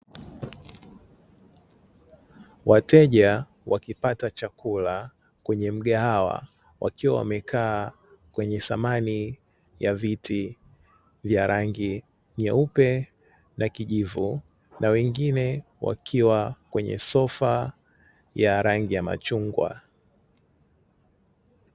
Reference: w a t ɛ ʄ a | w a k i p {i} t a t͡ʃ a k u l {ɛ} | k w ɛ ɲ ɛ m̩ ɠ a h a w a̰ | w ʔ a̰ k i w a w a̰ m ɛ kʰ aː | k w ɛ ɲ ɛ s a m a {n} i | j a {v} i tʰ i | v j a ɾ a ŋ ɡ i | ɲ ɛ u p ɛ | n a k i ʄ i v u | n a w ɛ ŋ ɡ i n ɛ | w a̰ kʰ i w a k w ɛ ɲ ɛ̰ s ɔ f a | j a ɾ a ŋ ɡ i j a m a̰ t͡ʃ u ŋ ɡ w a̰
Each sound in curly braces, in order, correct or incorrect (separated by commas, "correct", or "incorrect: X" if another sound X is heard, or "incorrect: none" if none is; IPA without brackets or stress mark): incorrect: a, incorrect: a, correct, correct